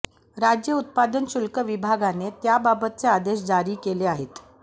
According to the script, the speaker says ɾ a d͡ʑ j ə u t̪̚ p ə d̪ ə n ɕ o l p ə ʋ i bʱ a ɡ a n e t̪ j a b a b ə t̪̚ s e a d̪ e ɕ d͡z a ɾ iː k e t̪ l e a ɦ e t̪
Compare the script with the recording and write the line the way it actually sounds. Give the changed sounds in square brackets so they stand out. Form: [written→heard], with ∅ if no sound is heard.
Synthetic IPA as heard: ɾ a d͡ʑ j ə u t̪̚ p [ə→a] d̪ ə n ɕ [o→u] l [p→k] ə ʋ i bʱ a ɡ a n e t̪ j a b a b ə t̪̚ [s→t͡s] e a d̪ e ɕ d͡z a ɾ iː k e [t̪→∅] l e a ɦ e t̪